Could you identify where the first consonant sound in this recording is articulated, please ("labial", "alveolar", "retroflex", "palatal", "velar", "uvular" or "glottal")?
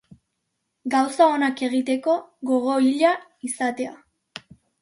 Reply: velar